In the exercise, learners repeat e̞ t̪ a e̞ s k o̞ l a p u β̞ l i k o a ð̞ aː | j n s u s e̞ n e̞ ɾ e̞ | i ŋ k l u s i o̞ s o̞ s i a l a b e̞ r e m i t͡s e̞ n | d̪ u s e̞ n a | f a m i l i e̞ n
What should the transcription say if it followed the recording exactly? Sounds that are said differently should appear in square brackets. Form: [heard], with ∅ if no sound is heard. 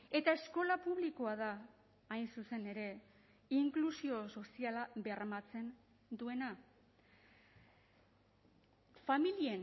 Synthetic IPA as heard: e̞ t̪ a e̞ s k o̞ l a p u β̞ l i k o a ð̞ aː | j n s u s e̞ n e̞ ɾ e̞ | i ŋ k l u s i o̞ s o̞ s i a l a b e̞ r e m [a] t͡s e̞ n | d̪ u [∅] e̞ n a | f a m i l i e̞ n